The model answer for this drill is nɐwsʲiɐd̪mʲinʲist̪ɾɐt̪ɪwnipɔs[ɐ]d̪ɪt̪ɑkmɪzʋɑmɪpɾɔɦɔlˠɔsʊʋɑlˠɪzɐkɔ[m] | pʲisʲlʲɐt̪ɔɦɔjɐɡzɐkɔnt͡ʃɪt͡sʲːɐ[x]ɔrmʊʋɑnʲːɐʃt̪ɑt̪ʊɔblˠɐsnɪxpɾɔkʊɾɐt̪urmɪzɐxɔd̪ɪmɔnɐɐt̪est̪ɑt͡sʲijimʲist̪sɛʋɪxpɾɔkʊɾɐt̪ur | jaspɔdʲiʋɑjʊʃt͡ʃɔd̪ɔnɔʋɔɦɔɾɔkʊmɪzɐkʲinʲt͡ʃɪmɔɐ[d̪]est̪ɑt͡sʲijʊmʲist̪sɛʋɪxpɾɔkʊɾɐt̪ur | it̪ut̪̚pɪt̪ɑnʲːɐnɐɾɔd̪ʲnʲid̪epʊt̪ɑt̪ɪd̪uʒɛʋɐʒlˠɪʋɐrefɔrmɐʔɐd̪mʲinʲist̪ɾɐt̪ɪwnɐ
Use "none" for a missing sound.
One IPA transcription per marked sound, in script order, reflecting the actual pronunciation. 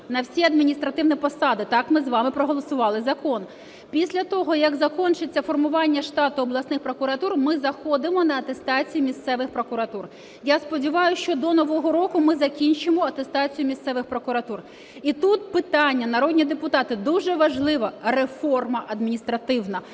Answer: ɑ, n, f, t̪

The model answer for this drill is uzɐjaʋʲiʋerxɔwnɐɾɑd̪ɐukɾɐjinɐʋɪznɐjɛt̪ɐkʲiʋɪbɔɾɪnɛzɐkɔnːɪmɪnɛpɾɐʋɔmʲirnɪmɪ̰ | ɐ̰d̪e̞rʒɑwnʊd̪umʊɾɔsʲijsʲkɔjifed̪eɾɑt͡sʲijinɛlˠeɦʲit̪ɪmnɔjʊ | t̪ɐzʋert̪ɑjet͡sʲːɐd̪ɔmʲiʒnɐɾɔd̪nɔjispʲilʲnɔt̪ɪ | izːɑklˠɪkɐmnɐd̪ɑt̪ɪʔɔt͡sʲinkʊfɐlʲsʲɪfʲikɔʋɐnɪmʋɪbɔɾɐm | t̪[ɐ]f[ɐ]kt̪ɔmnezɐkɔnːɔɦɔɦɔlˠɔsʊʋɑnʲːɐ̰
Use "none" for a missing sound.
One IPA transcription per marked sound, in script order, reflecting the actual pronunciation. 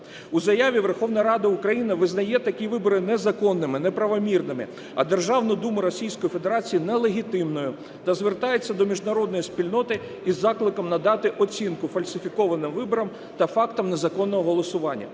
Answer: ɐ, ɑ

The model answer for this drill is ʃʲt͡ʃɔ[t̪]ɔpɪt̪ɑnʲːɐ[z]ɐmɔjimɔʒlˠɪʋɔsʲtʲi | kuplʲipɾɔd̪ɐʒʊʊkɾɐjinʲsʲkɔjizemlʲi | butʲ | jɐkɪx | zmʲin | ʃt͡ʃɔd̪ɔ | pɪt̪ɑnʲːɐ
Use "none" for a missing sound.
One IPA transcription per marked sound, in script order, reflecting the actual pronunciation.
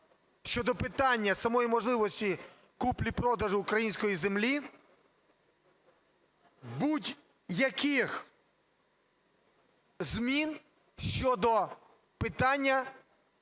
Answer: d̪, s

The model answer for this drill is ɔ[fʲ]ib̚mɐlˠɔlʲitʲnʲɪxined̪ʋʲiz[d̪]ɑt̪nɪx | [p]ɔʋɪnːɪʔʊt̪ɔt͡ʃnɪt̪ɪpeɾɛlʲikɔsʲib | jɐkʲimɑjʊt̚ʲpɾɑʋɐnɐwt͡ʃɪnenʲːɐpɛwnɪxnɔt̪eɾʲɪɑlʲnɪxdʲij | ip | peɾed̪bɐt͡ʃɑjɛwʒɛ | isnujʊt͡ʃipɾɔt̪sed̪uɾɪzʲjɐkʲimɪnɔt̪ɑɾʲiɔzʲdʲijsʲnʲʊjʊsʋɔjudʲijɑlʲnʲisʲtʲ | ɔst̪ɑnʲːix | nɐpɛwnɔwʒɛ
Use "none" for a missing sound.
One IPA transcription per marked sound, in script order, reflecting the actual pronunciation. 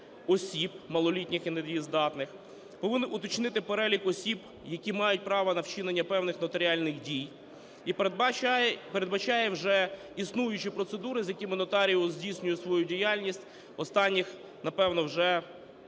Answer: sʲ, d̪, p

